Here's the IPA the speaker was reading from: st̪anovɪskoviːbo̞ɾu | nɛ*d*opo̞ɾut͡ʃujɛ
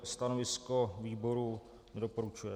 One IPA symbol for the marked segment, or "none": d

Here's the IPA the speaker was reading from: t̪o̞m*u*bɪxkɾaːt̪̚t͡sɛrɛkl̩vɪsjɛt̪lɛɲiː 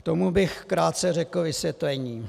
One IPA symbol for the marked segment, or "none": u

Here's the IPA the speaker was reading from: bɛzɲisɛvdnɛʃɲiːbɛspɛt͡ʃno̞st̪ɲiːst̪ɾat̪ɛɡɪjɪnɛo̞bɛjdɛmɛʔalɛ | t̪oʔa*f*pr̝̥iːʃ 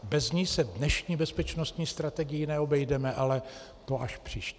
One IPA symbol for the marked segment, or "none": ʃ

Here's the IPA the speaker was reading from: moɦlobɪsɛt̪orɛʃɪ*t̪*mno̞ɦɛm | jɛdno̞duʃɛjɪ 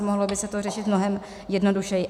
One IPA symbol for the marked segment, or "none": t̪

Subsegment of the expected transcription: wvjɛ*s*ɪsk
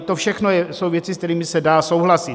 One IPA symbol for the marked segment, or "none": t͡s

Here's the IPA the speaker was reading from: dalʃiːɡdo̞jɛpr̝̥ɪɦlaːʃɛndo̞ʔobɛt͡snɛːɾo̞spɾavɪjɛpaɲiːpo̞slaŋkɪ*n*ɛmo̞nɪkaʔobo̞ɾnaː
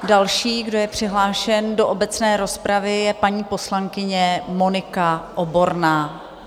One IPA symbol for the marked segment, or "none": ɲ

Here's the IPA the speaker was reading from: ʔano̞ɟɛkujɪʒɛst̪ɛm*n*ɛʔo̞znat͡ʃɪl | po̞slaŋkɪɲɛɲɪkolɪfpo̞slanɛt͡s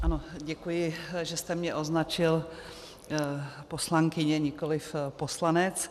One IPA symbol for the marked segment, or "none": ɲ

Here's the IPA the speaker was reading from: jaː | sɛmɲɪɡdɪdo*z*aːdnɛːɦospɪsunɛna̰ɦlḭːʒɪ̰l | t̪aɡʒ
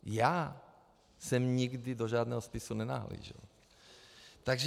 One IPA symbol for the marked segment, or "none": ʒ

